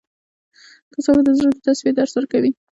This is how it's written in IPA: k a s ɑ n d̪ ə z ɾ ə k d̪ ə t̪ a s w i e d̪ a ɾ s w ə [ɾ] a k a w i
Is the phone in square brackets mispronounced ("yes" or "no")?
no